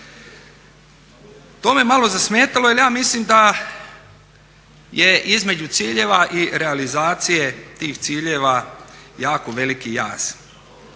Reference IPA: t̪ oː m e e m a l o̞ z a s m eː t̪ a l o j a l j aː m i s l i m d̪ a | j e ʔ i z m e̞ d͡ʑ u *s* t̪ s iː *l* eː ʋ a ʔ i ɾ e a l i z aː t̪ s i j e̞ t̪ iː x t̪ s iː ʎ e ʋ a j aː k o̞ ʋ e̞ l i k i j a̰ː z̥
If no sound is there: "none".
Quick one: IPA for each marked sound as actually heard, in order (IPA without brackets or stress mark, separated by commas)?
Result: none, ʎ